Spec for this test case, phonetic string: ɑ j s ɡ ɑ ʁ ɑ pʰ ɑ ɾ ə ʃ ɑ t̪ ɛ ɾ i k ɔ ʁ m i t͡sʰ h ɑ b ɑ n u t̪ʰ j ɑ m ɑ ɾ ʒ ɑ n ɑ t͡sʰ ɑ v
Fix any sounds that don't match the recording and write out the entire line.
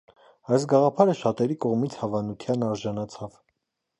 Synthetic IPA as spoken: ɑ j s ɡ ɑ ʁ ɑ pʰ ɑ ɾ ə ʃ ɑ t̪ ɛ ɾ i k ɔ ʁ m i t͡sʰ h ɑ v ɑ n u t̪ʰ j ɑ n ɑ ɾ ʒ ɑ n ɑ t͡sʰ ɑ v